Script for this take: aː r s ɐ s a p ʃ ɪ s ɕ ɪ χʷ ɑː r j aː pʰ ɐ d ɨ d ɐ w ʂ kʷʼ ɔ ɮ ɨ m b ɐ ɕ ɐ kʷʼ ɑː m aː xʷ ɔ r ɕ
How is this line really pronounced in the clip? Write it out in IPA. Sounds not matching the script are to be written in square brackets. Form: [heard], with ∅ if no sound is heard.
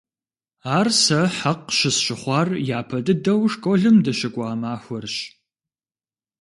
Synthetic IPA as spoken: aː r s ɐ [ħ] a [q] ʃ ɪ s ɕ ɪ χʷ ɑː r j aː pʰ ɐ d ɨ d ɐ w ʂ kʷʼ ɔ ɮ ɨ m [d] ɐ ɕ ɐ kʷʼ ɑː m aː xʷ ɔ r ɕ